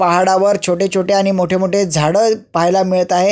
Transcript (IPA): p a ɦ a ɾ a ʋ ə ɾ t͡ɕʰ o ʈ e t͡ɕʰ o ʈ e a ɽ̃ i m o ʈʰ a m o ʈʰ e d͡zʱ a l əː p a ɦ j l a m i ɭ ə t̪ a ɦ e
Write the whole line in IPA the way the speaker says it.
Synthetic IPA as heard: p a ɦ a ɽ a ʋ ə ɾ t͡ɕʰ o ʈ e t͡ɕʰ o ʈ e a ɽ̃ i m o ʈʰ e m o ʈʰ e d͡zʱ a ɽ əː p a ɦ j l a m i ɭ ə t̪ a ɦ e